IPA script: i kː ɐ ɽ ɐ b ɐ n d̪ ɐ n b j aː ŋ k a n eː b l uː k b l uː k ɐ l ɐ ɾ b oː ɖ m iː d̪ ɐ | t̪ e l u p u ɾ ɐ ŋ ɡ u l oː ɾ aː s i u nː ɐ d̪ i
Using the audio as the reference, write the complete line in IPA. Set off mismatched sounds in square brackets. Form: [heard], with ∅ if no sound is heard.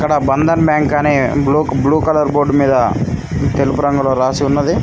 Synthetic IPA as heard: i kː ɐ ɽ ɐ b ɐ n d̪ ɐ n b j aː ŋ k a n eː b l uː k b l uː k ɐ l ɐ ɾ b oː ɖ m iː d̪ ɐ | t̪ e l u p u ɾ ɐ ŋ ɡ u l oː ɾ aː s i u nː ɐ d̪ i